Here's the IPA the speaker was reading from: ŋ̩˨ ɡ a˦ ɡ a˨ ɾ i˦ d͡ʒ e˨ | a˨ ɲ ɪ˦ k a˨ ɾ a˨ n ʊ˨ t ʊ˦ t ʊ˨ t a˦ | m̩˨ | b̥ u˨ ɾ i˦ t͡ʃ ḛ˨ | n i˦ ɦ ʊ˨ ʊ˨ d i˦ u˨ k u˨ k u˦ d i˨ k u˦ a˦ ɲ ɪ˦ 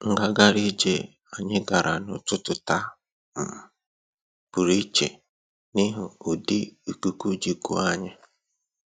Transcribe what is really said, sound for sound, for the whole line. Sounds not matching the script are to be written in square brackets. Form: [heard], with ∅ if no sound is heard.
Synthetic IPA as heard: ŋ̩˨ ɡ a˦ ɡ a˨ ɾ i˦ d͡ʒ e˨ | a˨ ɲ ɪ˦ [ɡ] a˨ ɾ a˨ n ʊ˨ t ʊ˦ t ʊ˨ t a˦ | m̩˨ | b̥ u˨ ɾ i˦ t͡ʃ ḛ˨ | n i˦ ɦ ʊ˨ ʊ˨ d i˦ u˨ k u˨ k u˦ [d͡ʒ] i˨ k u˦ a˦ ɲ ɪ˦